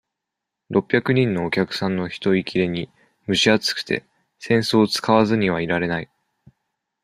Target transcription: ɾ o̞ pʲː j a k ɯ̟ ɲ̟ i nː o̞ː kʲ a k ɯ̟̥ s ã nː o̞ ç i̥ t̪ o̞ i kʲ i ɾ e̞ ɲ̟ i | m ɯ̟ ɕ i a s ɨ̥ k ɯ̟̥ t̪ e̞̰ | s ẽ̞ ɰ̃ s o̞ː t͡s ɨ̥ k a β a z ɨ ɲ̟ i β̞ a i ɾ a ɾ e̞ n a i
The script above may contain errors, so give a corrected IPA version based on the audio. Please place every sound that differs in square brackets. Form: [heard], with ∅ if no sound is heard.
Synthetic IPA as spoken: ɾ o̞ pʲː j a k ɯ̟ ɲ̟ [ĩ] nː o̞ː kʲ a k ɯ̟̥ s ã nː o̞ ç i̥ t̪ o̞ i kʲ i ɾ e̞ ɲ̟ i | m ɯ̟ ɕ i a [t͡s] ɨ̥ k ɯ̟̥ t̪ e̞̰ | s ẽ̞ ɰ̃ s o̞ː t͡s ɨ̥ k a β a z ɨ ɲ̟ i β̞ a i ɾ a ɾ e̞ n a i